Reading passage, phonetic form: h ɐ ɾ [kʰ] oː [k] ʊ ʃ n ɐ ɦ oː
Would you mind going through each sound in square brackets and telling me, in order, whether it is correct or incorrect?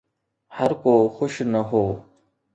incorrect: k, incorrect: x

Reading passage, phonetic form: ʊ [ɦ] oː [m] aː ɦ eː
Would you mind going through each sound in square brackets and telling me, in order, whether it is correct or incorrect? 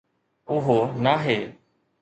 correct, incorrect: n

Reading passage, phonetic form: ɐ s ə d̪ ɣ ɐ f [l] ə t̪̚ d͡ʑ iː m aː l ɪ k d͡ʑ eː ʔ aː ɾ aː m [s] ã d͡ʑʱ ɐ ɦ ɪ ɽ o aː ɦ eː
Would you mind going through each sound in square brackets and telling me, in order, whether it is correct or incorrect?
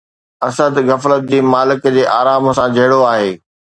correct, correct

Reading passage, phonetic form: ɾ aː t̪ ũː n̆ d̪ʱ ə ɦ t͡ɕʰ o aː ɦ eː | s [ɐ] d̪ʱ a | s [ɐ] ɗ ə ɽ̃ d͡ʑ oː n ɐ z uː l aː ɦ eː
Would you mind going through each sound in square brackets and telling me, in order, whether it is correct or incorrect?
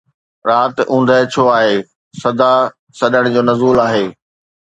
correct, correct

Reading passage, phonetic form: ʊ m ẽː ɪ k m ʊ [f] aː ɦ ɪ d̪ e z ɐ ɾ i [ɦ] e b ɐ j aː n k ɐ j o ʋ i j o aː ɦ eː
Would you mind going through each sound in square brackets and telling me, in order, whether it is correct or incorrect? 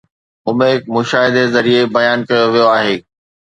incorrect: ʃ, incorrect: none

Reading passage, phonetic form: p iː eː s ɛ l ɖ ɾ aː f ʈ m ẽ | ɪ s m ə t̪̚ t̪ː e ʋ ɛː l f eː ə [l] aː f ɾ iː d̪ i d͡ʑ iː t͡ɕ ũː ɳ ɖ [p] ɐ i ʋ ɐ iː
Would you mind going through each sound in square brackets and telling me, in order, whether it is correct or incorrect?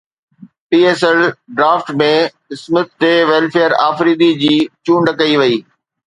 incorrect: ɾ, incorrect: k

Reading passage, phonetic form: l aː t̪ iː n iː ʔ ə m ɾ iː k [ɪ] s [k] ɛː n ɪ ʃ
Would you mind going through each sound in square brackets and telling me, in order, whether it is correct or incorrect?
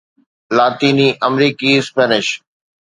incorrect: i, incorrect: p

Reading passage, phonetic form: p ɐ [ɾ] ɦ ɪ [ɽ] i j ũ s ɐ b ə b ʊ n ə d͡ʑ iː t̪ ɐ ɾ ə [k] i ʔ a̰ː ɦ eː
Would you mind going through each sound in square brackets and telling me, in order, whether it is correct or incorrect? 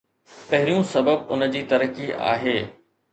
incorrect: none, incorrect: ɾ, correct

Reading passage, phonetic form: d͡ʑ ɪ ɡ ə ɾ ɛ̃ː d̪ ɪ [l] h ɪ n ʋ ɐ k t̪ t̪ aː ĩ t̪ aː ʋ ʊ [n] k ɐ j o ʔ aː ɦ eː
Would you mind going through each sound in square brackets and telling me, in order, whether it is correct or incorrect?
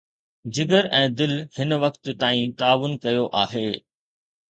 correct, correct

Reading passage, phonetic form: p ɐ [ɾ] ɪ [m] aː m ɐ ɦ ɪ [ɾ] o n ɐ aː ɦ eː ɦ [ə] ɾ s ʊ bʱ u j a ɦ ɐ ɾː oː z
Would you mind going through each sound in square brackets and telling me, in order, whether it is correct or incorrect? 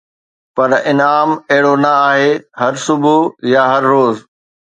correct, incorrect: n, incorrect: ɽ, incorrect: ɐ

